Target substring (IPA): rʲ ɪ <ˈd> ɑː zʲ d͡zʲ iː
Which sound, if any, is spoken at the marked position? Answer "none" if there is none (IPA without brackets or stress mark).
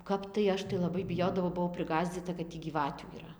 ɡ